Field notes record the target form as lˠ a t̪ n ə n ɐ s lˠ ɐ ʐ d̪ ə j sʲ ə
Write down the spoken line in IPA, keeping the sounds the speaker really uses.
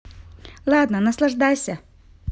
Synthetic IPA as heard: lˠ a d̪ n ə n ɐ s lˠ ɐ ʐ d̪ a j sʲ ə